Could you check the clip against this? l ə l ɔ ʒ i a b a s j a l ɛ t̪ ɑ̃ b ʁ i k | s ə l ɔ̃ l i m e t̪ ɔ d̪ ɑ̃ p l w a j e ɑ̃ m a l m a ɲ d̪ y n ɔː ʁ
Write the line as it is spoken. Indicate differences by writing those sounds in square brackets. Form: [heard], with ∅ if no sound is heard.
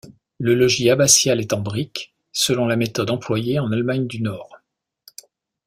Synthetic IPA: l ə l ɔ ʒ i a b a s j a l ɛ t̪ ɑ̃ b ʁ i k | s ə l ɔ̃ l [a] m e t̪ ɔ d̪ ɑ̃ p l w a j e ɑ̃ [n] a l m a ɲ d̪ y n ɔː ʁ